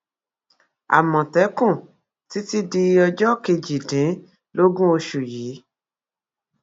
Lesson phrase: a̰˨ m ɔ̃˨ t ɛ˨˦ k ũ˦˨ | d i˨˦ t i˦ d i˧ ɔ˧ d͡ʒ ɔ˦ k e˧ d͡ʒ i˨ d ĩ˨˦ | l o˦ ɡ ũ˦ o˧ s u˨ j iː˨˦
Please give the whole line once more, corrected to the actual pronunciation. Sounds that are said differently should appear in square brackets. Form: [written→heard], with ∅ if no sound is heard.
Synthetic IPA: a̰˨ m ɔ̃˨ t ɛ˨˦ k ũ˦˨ | [d→t] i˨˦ t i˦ d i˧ ɔ˧ d͡ʒ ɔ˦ k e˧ d͡ʒ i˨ d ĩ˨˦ | l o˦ ɡ ũ˦ o˧ [s→ʃ] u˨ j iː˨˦